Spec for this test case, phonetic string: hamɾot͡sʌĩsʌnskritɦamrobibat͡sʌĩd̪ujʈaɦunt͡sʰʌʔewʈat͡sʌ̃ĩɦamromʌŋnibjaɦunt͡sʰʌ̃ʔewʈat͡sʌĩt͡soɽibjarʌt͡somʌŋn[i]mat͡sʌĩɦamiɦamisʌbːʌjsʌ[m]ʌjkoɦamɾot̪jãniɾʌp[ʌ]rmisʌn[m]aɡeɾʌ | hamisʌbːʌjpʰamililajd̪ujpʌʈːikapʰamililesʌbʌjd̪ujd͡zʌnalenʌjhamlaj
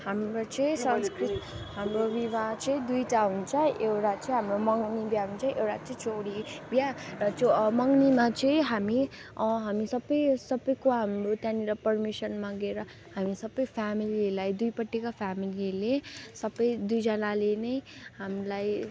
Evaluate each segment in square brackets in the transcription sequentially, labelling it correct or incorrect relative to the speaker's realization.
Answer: correct, incorrect: b, correct, correct

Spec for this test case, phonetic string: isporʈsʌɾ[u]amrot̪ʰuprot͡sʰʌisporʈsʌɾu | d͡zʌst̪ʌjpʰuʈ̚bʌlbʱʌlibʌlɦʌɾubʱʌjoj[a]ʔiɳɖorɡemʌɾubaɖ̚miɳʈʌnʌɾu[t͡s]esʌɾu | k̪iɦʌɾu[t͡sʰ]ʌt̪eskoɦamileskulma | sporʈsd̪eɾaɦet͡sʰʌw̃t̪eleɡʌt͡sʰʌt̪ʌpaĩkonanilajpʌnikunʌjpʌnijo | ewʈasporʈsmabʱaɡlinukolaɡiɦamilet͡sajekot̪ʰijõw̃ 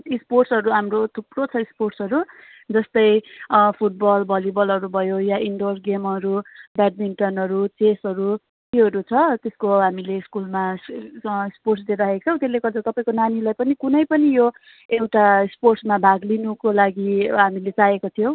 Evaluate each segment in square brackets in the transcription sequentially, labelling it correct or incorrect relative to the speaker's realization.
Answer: correct, correct, correct, correct

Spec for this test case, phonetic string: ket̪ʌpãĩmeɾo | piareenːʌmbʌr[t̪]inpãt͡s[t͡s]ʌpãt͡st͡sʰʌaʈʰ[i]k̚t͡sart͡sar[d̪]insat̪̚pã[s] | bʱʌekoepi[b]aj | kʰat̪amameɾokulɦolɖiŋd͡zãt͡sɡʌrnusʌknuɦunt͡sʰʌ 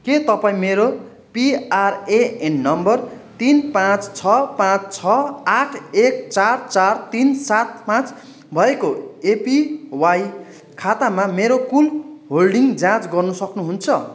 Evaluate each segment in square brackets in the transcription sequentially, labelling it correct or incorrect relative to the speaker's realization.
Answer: correct, incorrect: t͡sʰ, incorrect: e, incorrect: t̪, incorrect: t͡s, incorrect: w

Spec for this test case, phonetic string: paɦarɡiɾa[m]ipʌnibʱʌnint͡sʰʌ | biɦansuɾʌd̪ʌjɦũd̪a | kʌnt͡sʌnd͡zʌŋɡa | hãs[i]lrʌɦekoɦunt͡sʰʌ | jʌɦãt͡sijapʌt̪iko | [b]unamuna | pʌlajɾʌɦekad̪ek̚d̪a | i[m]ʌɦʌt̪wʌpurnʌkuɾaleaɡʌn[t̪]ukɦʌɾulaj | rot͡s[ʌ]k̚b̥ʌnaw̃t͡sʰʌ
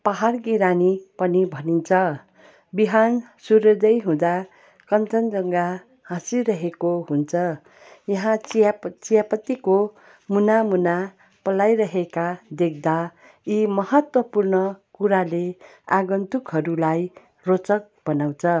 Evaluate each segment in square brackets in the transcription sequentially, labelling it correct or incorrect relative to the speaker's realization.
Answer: incorrect: n, correct, incorrect: m, correct, correct, correct

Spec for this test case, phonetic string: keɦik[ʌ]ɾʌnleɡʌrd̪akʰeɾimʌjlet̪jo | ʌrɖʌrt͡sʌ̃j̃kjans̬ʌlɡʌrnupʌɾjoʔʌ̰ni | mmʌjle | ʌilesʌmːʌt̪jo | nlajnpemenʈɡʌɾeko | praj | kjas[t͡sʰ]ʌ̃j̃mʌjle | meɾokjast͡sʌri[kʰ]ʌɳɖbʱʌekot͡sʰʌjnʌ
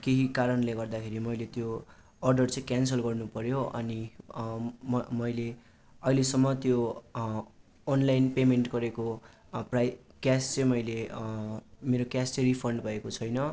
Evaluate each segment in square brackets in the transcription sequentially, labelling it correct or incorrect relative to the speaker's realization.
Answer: incorrect: a, incorrect: t͡s, incorrect: pʰ

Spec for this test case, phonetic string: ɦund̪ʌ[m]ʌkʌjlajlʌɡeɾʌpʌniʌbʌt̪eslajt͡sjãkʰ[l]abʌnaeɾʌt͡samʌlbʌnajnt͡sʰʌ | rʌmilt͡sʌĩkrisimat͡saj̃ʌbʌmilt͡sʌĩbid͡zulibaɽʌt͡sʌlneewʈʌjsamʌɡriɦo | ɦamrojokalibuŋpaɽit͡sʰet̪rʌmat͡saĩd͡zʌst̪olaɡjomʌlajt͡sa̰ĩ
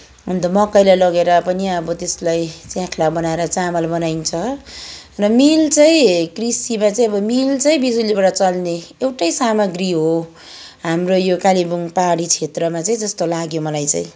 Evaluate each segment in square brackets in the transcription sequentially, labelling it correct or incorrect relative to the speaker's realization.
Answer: correct, correct

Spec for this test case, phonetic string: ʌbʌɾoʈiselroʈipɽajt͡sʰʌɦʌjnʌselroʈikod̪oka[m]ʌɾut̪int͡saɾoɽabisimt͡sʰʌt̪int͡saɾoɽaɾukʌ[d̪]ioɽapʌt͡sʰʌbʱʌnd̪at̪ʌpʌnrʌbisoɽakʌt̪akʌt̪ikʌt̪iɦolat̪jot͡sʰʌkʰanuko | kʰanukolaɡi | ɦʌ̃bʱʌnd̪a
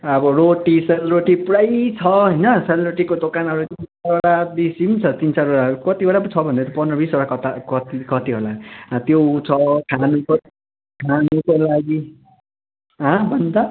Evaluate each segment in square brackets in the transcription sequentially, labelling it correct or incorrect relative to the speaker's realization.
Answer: incorrect: n, incorrect: t̪

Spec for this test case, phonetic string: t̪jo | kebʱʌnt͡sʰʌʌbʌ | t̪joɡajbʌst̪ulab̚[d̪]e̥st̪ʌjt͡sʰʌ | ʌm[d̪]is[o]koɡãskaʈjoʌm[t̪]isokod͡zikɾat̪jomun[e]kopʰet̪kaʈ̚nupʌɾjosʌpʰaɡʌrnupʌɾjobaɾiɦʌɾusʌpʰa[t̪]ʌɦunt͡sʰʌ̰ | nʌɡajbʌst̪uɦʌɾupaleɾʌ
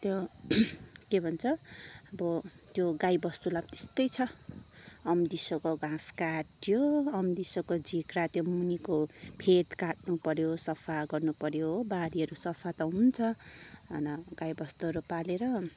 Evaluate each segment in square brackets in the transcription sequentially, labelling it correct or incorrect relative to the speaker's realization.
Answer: incorrect: t̪, correct, correct, incorrect: d̪, incorrect: i, correct

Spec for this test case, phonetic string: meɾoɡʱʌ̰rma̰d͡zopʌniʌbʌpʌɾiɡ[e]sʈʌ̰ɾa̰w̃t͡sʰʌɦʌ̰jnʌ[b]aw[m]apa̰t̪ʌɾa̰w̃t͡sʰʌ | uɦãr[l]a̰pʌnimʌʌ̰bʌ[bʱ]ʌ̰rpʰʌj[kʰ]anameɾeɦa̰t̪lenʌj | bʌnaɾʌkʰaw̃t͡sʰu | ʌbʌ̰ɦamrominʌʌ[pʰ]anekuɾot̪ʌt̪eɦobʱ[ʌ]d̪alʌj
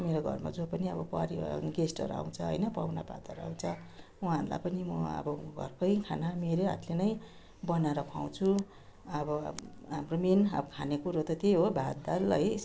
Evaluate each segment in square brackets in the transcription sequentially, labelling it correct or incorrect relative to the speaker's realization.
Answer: correct, incorrect: p, incorrect: n, correct, incorrect: ɡʱ, correct, incorrect: kʰ, incorrect: a

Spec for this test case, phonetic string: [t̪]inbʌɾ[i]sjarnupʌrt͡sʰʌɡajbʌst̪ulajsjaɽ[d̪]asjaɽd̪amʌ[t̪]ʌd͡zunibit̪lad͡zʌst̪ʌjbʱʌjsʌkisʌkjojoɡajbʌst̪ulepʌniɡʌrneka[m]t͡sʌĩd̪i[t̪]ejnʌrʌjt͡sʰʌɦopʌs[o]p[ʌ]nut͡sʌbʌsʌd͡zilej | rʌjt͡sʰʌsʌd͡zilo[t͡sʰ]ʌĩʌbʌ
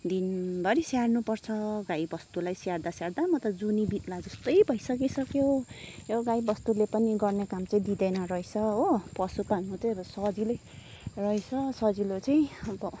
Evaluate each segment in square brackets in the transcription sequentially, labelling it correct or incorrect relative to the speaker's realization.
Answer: incorrect: d̪, correct, correct, correct, correct, incorrect: d̪, incorrect: u, incorrect: a, incorrect: t͡s

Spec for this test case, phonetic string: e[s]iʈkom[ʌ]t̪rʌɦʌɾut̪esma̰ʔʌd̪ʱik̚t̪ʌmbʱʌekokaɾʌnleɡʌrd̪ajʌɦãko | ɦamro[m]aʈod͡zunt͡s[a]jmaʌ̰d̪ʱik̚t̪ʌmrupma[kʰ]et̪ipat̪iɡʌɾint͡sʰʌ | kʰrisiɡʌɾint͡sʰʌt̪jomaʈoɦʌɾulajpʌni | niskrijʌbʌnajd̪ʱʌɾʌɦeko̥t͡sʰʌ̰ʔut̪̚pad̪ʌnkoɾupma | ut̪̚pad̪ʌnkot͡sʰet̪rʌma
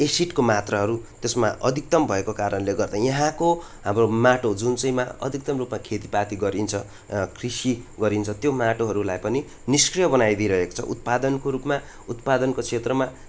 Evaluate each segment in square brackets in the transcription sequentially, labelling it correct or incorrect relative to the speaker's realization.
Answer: correct, incorrect: a, correct, incorrect: ʌ, correct

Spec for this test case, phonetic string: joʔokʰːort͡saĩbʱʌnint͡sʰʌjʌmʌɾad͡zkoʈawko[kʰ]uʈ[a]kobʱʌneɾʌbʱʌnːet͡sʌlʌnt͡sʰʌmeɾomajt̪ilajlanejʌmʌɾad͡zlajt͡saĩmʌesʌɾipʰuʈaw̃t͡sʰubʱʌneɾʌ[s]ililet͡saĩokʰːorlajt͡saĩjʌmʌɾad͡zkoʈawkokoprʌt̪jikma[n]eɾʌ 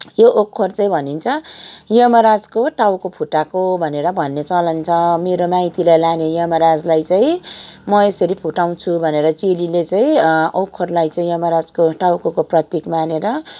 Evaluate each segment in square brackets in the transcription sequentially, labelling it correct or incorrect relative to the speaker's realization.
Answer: incorrect: pʰ, correct, incorrect: t͡s, correct

